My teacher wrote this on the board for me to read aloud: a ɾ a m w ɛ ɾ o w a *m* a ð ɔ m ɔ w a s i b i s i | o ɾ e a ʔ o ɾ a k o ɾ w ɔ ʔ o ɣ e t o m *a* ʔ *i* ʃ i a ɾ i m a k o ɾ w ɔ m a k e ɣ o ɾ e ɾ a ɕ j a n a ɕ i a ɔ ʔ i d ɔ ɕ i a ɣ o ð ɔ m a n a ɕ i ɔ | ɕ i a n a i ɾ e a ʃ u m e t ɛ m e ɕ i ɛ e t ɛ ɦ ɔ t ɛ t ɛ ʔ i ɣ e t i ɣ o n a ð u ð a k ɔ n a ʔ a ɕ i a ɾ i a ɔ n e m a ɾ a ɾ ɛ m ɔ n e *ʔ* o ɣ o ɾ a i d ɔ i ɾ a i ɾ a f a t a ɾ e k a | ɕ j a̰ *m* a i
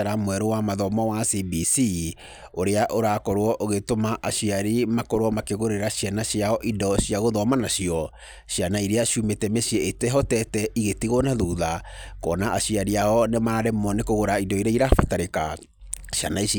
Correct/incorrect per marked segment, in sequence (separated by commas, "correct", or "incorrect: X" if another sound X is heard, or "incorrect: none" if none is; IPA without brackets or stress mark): correct, correct, incorrect: a, incorrect: k, incorrect: n